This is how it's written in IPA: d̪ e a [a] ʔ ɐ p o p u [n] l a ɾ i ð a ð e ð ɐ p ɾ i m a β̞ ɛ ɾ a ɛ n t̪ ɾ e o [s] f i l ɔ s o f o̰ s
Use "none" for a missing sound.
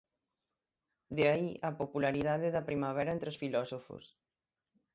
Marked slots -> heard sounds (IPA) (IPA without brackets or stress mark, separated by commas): i, none, s